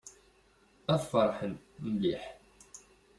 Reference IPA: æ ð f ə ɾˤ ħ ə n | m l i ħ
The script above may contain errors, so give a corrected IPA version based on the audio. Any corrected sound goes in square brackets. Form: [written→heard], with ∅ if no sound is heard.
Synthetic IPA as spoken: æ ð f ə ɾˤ ħ ə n | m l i ħ